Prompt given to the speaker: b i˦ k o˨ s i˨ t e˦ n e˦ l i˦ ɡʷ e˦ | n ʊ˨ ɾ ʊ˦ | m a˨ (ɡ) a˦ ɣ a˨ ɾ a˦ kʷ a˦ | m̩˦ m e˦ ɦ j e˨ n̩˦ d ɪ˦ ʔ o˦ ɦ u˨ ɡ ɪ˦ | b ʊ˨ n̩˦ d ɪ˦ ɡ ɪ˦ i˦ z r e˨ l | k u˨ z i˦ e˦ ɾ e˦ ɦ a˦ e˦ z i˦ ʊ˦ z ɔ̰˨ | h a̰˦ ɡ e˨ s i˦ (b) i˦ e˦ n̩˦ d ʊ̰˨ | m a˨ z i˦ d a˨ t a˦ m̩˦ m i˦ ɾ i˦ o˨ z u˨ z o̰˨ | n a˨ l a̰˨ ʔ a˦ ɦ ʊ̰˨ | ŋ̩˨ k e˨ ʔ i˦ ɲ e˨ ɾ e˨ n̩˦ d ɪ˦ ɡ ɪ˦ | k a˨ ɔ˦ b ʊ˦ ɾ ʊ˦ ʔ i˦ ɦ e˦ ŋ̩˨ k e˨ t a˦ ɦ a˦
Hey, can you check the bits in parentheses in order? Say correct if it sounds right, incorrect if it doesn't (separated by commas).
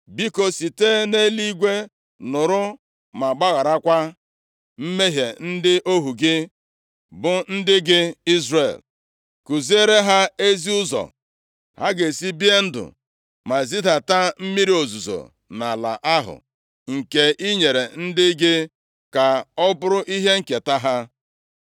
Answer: incorrect, correct